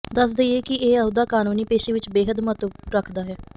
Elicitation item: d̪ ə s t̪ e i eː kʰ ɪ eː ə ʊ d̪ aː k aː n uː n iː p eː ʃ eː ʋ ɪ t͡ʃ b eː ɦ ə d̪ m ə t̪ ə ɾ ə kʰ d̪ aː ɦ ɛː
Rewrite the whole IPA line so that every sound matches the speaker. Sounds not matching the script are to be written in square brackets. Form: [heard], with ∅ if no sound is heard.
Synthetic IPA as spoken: d̪ ə s [d̪] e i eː [k] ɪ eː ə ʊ d̪ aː k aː n uː n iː p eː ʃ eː ʋ ɪ t͡ʃ b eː ɦ ə d̪ m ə t̪ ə ɾ ə kʰ d̪ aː ɦ ɛː